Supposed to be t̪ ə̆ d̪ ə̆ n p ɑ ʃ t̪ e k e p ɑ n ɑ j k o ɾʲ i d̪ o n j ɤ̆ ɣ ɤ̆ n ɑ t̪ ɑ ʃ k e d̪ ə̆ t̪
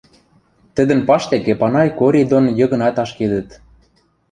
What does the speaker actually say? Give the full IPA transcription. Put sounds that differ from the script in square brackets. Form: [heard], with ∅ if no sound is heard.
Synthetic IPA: t̪ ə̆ d̪ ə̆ n p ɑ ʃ t̪ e k e p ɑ n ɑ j k o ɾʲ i d̪ o n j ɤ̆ ɣ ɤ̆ n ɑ t̪ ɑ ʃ k e d̪ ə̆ t̪